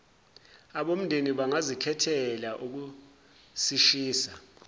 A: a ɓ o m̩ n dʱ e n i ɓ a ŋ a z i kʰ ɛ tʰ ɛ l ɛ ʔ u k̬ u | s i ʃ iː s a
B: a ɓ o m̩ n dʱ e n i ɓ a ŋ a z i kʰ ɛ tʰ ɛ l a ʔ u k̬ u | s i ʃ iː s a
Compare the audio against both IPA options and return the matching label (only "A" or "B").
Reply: B